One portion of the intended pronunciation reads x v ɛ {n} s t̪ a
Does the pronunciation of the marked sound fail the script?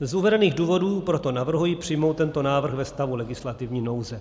yes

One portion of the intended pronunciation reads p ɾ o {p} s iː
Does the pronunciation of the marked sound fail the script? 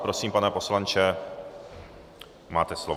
yes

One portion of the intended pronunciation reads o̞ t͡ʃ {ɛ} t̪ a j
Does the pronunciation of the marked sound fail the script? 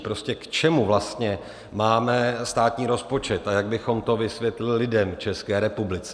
no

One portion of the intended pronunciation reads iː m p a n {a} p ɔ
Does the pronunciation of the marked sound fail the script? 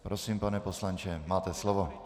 yes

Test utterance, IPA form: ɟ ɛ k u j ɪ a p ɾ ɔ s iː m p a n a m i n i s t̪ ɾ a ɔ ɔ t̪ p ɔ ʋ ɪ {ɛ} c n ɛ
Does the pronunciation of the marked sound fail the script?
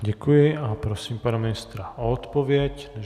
no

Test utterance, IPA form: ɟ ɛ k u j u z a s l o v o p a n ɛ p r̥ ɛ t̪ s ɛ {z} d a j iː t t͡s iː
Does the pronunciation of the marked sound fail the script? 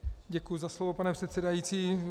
yes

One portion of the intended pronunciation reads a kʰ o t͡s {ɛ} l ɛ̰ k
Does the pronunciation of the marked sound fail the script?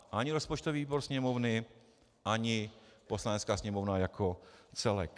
no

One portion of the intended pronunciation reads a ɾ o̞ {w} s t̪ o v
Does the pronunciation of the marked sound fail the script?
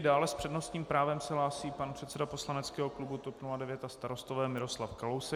yes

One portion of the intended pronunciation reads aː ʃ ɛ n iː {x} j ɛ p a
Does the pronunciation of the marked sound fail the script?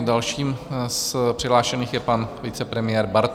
no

